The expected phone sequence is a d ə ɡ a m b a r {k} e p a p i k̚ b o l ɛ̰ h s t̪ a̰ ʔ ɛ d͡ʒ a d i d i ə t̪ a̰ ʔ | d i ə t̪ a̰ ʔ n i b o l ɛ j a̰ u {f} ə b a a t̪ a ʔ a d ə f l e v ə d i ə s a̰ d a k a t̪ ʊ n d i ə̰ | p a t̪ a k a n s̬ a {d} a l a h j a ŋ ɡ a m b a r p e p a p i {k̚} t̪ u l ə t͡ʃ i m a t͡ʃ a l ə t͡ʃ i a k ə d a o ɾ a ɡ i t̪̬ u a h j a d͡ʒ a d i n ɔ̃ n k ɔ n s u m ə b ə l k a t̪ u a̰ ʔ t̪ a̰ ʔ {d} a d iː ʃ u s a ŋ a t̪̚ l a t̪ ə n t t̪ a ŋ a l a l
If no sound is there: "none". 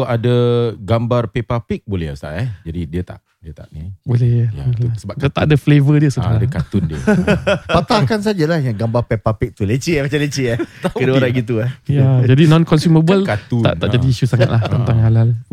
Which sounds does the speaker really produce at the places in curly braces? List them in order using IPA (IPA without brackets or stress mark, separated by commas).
p, s, d͡ʒ, k̚, d͡ʒ